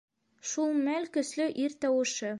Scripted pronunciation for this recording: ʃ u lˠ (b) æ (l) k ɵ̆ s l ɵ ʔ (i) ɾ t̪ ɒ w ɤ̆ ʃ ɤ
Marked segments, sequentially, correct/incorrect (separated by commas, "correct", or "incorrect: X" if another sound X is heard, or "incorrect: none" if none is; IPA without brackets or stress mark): incorrect: m, correct, correct